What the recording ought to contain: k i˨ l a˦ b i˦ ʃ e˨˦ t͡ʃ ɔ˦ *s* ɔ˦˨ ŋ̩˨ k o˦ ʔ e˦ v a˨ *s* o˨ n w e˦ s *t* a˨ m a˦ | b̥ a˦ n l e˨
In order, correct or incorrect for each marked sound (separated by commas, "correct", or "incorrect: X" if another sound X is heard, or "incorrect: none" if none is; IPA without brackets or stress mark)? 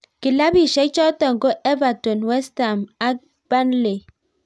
incorrect: t, incorrect: t, correct